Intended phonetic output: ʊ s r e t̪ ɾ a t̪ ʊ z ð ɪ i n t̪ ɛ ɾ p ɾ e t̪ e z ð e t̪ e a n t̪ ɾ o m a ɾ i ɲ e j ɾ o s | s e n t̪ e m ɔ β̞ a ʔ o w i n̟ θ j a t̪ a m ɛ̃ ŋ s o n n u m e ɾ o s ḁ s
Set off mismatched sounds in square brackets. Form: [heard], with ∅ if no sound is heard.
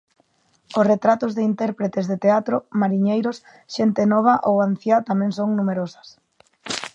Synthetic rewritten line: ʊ s r e t̪ ɾ a t̪ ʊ z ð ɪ i n t̪ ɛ ɾ p ɾ e t̪ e z ð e t̪ e a [∅] t̪ ɾ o m a ɾ i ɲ e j ɾ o s | [ʃ] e n t̪ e [n] ɔ β̞ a ʔ o w [a] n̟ θ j a t̪ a m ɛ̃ ŋ s o [ŋ] n u m e ɾ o s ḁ s